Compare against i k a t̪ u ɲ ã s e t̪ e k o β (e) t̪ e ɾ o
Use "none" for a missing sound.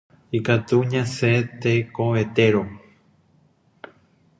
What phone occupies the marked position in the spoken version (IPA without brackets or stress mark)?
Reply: e